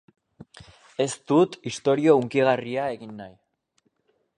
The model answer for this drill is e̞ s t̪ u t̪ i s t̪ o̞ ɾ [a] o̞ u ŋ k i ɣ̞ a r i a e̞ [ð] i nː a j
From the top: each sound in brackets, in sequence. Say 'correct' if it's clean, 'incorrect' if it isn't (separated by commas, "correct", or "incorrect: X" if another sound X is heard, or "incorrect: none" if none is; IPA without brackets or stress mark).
incorrect: i, incorrect: ɣ